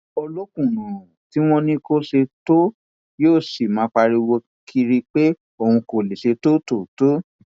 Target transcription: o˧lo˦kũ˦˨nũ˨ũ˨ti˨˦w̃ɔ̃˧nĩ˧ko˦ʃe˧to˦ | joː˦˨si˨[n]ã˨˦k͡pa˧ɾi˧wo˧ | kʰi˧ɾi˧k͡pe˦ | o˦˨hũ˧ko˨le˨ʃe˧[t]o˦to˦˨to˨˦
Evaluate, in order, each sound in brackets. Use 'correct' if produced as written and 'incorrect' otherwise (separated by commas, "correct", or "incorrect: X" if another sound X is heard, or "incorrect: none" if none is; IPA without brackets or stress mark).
incorrect: m, correct